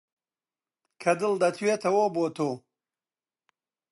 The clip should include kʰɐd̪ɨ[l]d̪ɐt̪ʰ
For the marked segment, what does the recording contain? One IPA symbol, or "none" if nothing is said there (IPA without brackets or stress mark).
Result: l